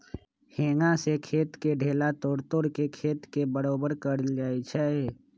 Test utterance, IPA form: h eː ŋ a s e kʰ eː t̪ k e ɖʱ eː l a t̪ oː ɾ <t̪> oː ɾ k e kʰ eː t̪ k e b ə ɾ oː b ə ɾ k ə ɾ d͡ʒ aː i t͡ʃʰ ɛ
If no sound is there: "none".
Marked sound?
t̪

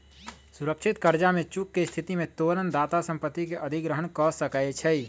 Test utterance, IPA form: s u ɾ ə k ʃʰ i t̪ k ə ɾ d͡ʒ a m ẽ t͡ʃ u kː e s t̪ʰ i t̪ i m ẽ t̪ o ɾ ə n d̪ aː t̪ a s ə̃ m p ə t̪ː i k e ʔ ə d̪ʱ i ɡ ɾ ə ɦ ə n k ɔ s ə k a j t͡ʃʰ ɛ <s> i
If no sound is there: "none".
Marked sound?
none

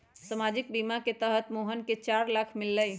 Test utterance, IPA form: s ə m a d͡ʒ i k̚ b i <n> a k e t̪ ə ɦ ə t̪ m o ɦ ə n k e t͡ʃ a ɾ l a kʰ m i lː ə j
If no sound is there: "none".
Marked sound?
m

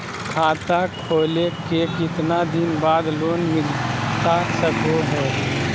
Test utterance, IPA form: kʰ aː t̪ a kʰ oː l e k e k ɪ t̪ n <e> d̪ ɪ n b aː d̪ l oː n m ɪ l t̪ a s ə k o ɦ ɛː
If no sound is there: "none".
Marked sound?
a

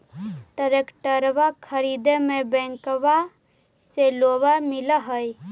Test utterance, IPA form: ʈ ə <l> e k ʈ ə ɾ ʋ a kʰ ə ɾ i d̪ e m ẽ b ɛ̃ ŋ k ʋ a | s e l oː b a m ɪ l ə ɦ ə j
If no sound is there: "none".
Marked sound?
ɾ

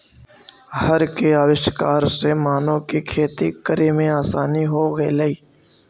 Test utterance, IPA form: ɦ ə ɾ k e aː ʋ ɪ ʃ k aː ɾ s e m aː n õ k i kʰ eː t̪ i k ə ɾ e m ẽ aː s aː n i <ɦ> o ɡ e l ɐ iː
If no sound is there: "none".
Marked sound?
ɦ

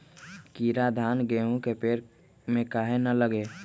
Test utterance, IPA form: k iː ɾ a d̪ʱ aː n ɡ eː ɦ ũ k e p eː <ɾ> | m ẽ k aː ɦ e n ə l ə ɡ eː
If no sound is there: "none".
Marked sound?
ɾ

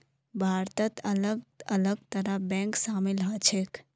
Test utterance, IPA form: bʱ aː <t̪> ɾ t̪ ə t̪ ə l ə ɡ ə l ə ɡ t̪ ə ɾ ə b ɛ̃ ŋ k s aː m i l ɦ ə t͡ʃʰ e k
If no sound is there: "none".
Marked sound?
none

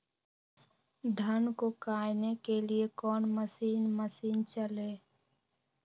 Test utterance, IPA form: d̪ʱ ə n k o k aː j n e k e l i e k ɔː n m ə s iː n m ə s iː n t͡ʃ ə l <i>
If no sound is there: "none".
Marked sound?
e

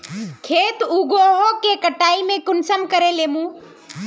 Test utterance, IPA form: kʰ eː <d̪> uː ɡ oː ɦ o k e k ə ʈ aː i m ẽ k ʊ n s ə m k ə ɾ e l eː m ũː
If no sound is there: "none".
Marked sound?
t̪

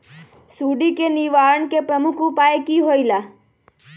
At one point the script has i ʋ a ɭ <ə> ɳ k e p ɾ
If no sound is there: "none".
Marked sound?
ə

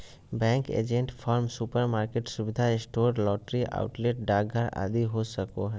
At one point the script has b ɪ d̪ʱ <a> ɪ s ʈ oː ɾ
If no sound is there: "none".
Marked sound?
a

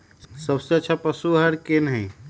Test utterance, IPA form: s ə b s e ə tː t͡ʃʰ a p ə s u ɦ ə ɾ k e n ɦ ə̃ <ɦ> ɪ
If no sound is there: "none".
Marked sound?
none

